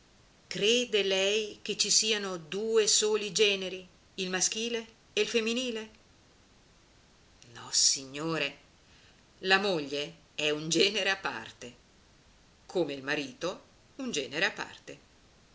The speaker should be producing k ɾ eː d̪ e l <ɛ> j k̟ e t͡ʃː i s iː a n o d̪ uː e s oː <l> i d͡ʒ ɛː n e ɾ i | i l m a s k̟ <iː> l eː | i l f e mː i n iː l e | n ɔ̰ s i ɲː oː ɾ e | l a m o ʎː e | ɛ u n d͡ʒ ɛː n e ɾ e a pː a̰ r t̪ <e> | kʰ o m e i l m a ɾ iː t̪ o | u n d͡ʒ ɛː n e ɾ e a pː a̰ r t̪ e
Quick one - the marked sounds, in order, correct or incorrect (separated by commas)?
correct, correct, correct, correct